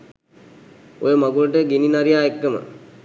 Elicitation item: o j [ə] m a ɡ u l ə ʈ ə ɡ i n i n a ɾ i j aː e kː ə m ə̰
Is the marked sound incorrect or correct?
correct